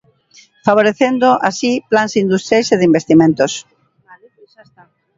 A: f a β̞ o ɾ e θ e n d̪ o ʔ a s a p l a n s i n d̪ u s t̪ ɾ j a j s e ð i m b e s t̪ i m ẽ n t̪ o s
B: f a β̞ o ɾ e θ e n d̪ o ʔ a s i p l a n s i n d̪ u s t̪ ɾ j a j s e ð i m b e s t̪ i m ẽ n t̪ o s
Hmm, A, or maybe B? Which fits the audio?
B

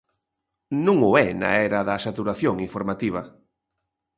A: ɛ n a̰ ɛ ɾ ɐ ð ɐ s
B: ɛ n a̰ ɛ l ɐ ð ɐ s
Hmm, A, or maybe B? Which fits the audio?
A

